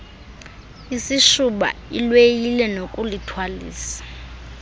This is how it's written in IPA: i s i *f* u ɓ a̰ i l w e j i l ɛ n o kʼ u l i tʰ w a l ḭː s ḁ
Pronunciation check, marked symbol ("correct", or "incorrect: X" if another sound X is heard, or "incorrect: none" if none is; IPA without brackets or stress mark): incorrect: ʃ